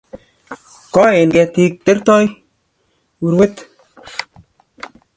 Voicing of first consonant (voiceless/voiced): voiceless